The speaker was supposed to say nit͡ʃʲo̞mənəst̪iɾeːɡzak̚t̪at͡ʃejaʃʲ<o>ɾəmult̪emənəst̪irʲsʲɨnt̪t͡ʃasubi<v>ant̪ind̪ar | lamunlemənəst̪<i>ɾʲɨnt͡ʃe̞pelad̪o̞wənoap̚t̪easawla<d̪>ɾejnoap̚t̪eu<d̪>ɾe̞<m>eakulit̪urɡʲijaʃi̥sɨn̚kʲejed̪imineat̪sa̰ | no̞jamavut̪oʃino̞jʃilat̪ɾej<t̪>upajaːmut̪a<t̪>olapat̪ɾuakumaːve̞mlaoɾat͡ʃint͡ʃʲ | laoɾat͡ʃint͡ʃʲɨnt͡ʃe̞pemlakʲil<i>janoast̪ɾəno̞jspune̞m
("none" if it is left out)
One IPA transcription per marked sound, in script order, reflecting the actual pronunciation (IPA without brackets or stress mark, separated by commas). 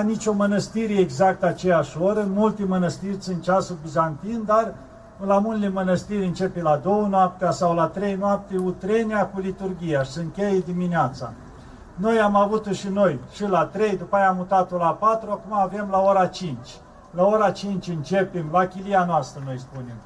o, z, i, t̪, t̪, n, d̪, t̪, i